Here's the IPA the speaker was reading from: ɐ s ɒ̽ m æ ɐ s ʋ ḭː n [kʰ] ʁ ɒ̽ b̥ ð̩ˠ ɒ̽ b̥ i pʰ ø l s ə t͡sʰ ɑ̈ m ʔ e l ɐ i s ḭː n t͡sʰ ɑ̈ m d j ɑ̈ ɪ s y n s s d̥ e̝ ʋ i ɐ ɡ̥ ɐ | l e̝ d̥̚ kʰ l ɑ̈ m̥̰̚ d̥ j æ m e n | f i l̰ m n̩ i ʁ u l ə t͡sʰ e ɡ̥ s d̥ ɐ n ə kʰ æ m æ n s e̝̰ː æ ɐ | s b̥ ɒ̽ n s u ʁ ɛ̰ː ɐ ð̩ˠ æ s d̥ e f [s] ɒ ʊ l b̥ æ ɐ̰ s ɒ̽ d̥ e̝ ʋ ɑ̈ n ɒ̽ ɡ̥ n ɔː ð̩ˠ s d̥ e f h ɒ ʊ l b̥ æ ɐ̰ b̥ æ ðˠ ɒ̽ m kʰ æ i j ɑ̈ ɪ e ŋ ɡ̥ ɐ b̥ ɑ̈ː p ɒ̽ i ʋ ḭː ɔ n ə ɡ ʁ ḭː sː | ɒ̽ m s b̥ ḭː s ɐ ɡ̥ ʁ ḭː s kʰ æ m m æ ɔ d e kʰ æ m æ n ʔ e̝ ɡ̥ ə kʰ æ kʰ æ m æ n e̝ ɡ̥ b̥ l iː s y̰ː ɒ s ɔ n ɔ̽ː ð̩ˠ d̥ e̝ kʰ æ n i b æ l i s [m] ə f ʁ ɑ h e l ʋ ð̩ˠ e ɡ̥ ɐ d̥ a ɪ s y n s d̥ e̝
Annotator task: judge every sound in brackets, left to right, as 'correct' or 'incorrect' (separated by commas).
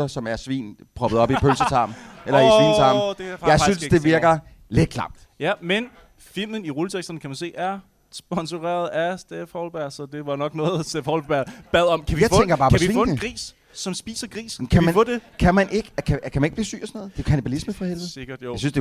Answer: incorrect, incorrect, correct